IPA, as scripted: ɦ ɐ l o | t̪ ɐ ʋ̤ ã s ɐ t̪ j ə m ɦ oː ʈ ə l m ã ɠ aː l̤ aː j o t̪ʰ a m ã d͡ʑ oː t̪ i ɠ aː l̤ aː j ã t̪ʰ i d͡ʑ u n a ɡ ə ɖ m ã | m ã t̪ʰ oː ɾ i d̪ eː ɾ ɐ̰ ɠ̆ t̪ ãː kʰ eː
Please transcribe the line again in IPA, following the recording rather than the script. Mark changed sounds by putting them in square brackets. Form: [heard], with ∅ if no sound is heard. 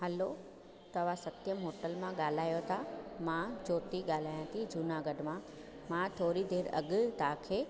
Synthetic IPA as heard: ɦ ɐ l o | t̪ ɐ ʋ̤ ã s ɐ t̪ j ə m ɦ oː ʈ ə l m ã ɠ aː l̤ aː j o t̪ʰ a m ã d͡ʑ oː t̪ i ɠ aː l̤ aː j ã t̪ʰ i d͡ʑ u n a ɡ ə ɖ m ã | m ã t̪ʰ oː ɾ i d̪ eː ɾ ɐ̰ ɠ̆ t̪ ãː kʰ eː

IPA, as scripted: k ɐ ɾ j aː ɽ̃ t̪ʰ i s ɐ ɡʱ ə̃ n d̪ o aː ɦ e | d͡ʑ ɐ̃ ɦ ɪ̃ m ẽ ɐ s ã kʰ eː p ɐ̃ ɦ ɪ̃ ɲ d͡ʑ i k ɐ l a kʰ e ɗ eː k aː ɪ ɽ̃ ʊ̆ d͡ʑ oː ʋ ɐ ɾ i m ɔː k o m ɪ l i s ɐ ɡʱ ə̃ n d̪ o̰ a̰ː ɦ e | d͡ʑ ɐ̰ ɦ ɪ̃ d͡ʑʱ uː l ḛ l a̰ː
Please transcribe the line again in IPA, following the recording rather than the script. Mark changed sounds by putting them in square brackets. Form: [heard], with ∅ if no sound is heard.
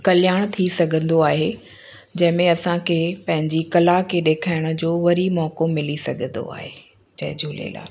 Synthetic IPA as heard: k ɐ [l] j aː ɽ̃ t̪ʰ i s ɐ ɡʱ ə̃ n d̪ o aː ɦ e | d͡ʑ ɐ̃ ɦ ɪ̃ m ẽ ɐ s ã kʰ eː p ɐ̃ ɦ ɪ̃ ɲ d͡ʑ i k ɐ l a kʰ e ɗ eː [kʰ] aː ɪ ɽ̃ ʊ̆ d͡ʑ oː ʋ ɐ ɾ i m ɔː k o m ɪ l i s ɐ ɡʱ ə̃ n d̪ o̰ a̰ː ɦ e | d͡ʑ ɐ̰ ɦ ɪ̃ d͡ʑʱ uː l ḛ l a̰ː

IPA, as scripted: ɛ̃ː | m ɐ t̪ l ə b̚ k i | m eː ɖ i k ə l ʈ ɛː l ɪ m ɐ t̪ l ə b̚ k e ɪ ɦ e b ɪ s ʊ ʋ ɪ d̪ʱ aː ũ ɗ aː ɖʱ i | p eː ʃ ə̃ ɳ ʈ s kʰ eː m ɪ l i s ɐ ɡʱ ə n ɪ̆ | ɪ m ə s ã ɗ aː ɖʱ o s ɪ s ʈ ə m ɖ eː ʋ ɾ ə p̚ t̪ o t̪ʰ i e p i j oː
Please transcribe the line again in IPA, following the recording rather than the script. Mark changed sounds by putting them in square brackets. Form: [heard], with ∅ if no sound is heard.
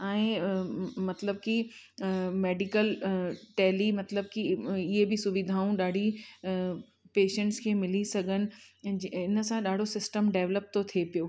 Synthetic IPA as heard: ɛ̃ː | m ɐ t̪ l ə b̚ k i | m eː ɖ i k ə l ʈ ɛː l [i] m ɐ t̪ l ə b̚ k [i] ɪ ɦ e b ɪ s ʊ ʋ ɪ d̪ʱ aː ũ ɗ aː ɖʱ i | p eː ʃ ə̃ ɳ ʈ s kʰ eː m ɪ l i s ɐ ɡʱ ə n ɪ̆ | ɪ [n] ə s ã ɗ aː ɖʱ o s ɪ s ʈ ə m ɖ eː ʋ [l] ə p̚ t̪ o t̪ʰ i e p i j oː

